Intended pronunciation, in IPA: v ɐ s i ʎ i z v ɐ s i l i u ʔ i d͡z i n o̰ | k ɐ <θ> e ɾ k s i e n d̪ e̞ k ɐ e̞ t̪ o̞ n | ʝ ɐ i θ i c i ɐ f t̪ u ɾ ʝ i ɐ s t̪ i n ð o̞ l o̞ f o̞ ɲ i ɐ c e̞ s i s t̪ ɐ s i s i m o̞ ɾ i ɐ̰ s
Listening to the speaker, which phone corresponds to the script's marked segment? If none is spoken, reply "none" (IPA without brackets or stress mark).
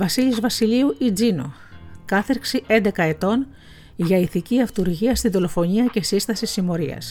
θ